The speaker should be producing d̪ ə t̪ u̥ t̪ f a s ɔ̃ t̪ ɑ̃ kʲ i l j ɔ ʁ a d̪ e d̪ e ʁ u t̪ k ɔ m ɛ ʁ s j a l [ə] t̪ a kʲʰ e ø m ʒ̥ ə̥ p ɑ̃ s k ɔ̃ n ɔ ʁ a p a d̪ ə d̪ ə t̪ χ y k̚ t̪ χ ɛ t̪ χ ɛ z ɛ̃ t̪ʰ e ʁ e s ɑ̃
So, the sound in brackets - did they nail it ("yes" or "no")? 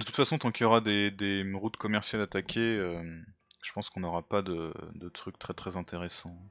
no